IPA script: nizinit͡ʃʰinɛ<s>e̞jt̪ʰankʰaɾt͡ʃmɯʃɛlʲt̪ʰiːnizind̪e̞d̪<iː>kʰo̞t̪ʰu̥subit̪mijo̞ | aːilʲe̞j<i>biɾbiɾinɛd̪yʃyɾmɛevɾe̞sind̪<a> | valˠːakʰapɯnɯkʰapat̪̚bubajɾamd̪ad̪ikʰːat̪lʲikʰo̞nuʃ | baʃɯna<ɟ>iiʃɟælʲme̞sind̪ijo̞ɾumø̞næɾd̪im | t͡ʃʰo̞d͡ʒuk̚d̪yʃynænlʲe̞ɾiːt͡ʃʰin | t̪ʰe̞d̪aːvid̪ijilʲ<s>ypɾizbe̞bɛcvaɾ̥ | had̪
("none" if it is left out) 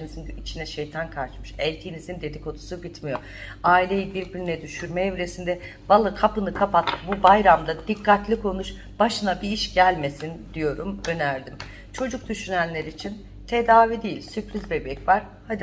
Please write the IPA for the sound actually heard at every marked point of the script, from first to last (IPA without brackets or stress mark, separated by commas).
ʃ, i, i, ɛ, b, s